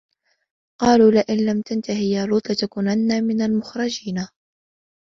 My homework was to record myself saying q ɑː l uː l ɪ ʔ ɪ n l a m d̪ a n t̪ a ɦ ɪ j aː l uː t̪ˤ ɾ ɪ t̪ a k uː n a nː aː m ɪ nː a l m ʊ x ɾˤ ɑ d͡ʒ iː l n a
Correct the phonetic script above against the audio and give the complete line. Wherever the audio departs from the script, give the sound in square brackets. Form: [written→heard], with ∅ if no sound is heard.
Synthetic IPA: q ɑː l uː l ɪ ʔ ɪ n l a m [d̪→t̪] a n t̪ a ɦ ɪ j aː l uː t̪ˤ [ɾ→l] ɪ t̪ a k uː n a nː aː m ɪ [nː→n] a l m ʊ x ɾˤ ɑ d͡ʒ iː [l→∅] n a